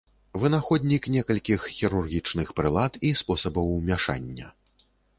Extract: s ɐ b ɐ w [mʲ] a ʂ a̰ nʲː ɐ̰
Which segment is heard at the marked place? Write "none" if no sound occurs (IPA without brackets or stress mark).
mʲ